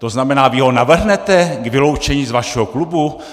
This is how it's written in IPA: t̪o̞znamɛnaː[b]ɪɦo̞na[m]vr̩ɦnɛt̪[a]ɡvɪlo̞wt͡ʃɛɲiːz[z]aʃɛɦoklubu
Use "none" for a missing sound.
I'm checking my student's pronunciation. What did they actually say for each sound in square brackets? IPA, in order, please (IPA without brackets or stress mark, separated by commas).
v, none, ɛ, v